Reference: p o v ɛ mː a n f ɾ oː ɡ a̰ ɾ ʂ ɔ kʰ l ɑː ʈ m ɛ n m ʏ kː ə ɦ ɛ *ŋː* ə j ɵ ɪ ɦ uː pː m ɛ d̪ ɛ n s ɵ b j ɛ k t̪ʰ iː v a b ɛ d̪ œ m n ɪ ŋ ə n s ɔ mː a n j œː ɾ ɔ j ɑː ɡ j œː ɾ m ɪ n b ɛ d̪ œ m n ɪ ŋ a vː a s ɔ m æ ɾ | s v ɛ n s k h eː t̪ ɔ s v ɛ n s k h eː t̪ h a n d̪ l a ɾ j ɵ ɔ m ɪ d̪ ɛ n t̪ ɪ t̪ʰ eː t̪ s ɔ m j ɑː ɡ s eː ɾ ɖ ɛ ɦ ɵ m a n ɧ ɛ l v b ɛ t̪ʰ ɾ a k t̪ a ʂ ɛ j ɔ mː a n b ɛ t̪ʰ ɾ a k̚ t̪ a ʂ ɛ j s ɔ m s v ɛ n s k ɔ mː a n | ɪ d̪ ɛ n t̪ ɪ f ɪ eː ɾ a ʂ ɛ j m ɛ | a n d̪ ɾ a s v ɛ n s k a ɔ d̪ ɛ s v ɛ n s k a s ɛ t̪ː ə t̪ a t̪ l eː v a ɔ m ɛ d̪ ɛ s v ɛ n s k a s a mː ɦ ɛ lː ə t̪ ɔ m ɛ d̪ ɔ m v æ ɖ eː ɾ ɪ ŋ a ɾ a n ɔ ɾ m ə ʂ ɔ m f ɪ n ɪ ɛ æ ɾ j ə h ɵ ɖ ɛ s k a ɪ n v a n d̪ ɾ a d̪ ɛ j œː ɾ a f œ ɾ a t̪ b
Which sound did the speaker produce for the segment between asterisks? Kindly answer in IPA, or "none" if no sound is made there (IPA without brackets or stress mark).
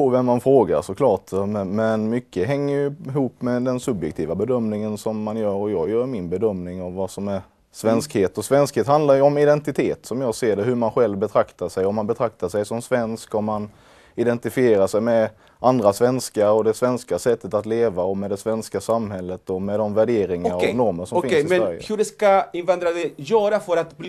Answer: ŋː